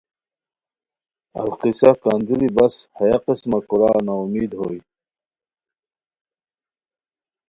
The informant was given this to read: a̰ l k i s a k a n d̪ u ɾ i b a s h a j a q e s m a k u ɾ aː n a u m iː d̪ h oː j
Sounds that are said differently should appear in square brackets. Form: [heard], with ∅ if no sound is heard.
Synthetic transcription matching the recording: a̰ l [q] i s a k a n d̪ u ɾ i b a s h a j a q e s m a k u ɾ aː n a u m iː d̪ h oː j